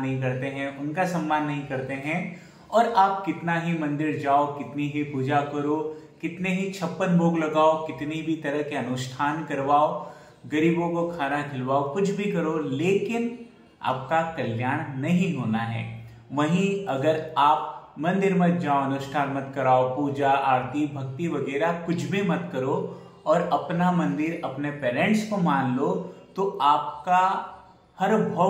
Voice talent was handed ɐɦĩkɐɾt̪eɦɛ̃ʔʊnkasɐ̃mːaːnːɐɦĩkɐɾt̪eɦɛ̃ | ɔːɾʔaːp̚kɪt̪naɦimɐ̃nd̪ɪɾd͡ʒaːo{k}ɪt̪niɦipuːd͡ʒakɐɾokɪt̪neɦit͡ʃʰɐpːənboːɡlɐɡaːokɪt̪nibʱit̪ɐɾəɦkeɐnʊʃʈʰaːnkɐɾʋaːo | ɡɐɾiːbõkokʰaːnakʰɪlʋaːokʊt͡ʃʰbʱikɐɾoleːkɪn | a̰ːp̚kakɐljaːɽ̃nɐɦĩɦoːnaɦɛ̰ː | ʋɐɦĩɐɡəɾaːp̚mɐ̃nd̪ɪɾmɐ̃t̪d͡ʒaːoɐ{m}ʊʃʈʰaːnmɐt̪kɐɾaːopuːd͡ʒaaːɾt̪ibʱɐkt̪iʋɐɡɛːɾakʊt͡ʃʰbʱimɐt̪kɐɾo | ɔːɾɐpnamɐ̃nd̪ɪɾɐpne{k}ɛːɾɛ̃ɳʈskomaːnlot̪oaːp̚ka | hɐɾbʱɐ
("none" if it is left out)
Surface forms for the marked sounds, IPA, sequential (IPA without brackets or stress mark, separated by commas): k, n, p